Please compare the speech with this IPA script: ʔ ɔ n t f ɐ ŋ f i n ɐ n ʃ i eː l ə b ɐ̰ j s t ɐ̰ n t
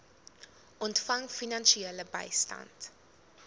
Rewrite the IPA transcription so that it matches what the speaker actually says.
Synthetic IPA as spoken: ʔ ɔ n t f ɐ ŋ f i n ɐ n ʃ i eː l ə b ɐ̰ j s t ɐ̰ n t